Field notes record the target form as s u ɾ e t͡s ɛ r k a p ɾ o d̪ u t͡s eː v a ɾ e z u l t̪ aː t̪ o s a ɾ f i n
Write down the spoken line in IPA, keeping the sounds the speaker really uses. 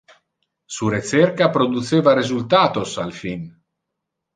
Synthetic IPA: s u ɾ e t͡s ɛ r k a p ɾ o d̪ u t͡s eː v a ɾ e z u l t̪ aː t̪ o s a l f i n